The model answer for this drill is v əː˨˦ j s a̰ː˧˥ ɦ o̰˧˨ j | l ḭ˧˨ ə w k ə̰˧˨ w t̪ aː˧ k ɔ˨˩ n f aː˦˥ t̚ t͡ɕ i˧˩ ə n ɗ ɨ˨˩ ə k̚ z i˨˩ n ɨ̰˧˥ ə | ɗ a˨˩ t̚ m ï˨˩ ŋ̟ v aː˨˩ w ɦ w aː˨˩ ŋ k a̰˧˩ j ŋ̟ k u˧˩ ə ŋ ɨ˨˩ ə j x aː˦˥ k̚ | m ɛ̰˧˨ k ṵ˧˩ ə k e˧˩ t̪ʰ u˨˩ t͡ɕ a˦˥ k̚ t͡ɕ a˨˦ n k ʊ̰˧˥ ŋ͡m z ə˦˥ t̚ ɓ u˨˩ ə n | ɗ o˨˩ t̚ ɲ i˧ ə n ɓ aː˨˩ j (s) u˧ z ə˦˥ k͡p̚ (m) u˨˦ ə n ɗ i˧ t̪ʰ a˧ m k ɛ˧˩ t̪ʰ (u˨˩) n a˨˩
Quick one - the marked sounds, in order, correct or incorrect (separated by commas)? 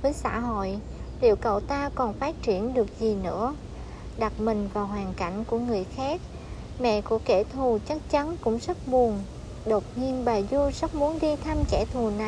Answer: incorrect, correct, correct